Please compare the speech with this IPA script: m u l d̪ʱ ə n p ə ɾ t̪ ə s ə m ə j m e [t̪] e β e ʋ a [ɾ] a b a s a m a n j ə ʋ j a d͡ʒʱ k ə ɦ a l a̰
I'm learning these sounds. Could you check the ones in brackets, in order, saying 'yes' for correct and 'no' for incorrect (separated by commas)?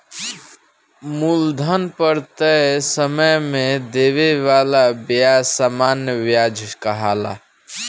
no, no